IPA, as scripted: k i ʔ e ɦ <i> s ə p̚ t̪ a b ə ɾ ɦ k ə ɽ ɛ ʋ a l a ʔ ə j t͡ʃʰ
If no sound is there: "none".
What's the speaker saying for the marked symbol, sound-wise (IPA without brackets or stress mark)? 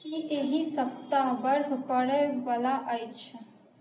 i